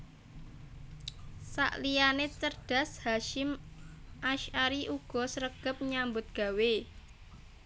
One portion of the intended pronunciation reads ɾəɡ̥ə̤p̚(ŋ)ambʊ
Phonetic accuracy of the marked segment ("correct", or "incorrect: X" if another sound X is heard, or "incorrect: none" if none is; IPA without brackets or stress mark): incorrect: ɲ